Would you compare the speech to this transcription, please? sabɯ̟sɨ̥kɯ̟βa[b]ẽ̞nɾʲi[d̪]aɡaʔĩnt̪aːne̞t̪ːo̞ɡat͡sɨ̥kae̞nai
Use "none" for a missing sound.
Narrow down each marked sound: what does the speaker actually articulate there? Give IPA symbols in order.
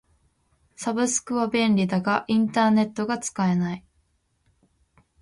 b, d̪

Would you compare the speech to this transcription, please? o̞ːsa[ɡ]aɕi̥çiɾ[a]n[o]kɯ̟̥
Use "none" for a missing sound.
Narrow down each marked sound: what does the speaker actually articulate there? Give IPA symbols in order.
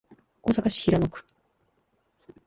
k, a, o

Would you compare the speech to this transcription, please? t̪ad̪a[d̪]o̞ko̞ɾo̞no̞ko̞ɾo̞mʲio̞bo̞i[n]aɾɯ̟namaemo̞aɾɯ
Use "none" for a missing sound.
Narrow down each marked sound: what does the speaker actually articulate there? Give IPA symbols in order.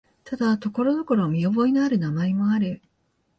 t̪, n

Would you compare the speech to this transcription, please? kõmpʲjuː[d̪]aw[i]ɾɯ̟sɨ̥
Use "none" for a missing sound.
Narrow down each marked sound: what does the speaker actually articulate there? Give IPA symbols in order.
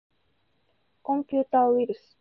t̪, i

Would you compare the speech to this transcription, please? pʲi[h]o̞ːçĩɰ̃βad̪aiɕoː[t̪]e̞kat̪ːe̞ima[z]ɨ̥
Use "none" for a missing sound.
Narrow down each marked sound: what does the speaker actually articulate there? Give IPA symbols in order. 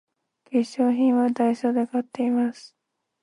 ɕ, d̪, s

